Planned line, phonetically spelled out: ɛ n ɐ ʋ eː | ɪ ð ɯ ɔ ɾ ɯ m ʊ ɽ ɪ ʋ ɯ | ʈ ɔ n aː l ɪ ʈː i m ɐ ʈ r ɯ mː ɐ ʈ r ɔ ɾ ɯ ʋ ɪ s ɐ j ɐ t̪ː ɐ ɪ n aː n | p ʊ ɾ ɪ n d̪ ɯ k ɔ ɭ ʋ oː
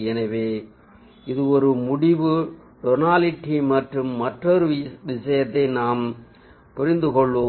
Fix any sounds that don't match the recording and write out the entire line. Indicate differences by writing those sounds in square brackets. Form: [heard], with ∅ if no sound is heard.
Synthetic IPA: ɛ n ɐ ʋ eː | ɪ ð ɯ ɔ ɾ ɯ m ʊ ɽ ɪ ʋ ɯ | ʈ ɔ n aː l ɪ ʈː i m ɐ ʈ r ɯ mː ɐ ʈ r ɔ ɾ ɯ ʋ ɪ s ɐ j ɐ t̪ː ɐ ɪ n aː [m] | p ʊ ɾ ɪ n d̪ ɯ k ɔ ɭ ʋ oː